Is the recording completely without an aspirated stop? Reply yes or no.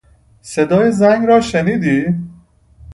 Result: yes